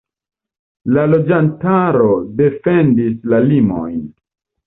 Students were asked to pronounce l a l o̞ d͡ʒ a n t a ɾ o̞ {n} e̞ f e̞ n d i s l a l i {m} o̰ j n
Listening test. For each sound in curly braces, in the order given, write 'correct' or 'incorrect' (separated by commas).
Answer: incorrect, correct